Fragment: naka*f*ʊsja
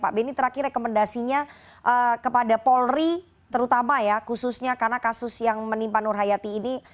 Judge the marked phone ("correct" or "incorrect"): incorrect